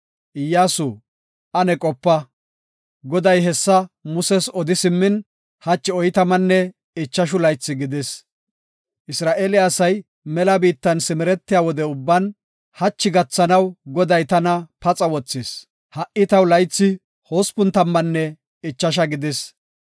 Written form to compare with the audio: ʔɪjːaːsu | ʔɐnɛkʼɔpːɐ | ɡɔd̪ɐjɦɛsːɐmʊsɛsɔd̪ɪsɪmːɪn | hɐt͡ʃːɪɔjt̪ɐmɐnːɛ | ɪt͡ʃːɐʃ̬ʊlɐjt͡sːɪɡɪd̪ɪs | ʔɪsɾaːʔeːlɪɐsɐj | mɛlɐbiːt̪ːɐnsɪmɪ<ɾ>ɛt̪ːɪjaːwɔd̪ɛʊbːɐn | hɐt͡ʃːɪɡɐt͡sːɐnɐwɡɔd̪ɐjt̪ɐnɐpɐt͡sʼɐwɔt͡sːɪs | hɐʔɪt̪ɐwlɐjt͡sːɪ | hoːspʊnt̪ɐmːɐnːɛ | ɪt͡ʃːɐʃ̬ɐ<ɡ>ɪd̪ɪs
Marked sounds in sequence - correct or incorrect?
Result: correct, correct

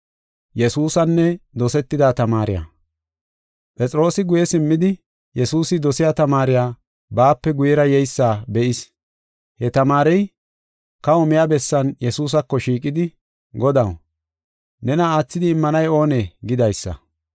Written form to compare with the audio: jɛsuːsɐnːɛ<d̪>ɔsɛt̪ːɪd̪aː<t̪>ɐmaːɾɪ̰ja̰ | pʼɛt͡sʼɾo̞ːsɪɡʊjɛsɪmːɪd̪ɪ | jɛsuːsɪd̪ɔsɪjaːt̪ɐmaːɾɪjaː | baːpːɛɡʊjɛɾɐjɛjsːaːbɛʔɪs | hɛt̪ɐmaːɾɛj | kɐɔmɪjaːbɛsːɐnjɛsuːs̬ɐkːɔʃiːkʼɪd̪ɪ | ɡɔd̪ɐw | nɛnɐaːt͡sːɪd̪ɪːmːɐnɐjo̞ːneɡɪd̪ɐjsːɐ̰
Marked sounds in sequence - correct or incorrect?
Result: correct, correct

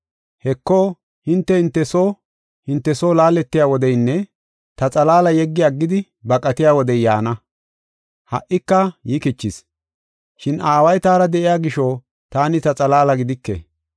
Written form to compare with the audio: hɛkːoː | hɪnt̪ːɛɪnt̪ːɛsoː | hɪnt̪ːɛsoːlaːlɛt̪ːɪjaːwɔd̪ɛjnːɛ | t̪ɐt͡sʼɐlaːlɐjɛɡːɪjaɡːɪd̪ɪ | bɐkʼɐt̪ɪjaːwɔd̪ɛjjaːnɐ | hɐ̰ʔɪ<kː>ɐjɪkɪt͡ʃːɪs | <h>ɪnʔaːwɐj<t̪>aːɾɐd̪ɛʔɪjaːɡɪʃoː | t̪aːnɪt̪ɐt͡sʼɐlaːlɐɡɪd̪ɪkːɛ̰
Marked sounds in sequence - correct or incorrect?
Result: correct, incorrect: ʃ, correct

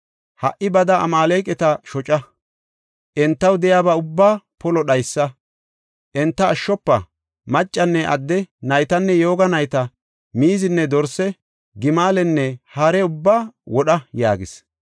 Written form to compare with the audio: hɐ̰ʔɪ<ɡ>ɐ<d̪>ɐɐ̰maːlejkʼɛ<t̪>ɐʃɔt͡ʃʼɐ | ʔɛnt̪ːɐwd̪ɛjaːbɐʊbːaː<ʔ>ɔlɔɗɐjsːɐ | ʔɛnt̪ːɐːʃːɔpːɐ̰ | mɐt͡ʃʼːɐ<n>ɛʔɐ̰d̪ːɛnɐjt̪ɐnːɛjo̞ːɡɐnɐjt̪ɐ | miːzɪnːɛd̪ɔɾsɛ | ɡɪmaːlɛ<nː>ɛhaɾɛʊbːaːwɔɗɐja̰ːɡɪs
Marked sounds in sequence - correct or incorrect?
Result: incorrect: b, correct, correct, incorrect: p, incorrect: nː, correct

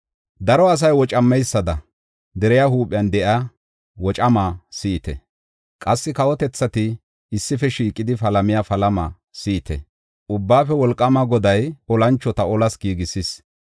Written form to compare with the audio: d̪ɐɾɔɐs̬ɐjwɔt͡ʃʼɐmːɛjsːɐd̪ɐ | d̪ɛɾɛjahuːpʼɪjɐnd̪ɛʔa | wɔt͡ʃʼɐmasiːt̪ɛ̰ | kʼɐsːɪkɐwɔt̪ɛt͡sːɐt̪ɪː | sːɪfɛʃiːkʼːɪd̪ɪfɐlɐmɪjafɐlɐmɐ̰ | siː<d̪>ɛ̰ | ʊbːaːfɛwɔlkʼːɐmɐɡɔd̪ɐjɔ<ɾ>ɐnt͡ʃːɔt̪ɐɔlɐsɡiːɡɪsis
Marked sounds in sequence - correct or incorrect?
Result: incorrect: t̪, incorrect: l

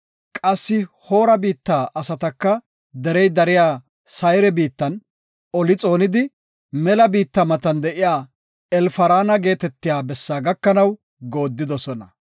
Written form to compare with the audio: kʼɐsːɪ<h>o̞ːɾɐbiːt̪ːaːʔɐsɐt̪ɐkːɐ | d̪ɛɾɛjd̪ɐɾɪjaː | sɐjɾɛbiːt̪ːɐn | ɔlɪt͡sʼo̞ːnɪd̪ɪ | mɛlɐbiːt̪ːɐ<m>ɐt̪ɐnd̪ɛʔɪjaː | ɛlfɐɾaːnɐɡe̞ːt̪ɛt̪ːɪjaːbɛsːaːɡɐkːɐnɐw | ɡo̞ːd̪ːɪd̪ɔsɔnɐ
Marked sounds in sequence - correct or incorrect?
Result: correct, correct

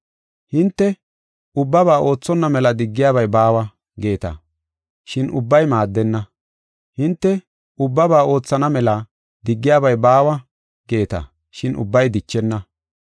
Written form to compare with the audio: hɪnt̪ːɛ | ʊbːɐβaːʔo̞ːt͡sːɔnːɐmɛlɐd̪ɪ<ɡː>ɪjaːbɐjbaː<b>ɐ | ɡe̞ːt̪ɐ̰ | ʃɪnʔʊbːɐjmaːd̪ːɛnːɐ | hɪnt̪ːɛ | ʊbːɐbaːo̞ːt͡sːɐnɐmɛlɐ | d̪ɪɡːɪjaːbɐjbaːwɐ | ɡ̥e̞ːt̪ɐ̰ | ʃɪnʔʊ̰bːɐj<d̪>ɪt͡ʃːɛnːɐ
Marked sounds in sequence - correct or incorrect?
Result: correct, incorrect: w, correct

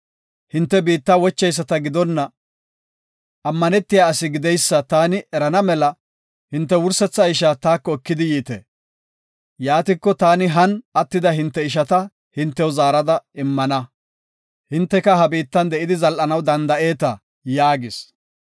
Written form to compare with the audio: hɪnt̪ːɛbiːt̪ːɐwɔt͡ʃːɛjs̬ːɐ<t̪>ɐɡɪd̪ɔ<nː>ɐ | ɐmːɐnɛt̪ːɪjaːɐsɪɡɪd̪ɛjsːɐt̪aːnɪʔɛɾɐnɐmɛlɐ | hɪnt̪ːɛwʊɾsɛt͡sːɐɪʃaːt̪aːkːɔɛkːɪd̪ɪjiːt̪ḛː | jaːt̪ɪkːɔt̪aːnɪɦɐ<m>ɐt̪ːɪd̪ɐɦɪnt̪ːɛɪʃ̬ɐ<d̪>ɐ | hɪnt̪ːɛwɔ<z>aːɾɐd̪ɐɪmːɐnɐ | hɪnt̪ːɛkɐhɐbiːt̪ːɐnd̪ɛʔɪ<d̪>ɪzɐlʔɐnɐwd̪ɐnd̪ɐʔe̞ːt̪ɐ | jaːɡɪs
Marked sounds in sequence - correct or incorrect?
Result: correct, correct, incorrect: n, incorrect: t̪, correct, correct

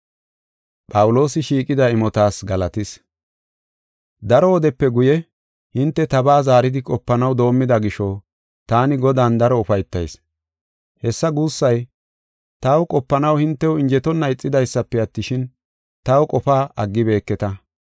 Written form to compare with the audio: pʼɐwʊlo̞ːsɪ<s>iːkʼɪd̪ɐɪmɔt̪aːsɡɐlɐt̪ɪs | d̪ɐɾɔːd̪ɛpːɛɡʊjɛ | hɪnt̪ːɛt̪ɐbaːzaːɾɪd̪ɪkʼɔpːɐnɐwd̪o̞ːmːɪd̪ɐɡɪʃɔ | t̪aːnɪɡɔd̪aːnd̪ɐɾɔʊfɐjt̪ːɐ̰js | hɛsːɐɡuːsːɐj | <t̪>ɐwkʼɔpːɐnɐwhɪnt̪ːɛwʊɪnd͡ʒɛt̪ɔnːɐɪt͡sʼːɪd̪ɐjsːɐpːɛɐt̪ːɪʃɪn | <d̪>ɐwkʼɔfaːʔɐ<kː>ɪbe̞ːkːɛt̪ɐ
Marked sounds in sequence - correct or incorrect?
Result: incorrect: ʃ, correct, incorrect: t̪, incorrect: ɡː

